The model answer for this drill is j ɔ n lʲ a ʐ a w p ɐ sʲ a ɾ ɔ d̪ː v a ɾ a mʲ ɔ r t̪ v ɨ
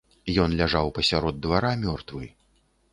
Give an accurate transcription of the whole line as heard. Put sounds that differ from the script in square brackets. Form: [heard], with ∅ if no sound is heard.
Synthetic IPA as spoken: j ɔ n lʲ a ʐ a w p ɐ sʲ a ɾ ɔ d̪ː v a ɾ a mʲ ɔ r t̪ v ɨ